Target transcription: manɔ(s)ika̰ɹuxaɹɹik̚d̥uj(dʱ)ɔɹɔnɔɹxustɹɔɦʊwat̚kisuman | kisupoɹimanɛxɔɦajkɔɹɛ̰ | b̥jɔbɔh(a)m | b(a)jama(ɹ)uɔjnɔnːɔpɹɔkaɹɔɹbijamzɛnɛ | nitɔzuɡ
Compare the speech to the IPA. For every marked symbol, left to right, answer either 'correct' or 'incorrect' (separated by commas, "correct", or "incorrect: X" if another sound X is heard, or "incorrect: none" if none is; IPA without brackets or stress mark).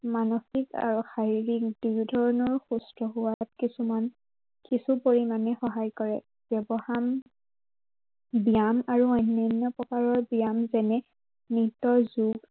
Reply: incorrect: x, correct, correct, incorrect: i, correct